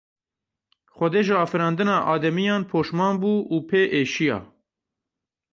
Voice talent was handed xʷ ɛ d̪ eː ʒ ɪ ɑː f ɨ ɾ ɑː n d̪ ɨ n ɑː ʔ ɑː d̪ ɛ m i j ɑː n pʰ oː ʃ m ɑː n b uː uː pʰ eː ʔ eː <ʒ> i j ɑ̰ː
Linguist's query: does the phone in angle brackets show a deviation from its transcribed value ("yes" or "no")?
yes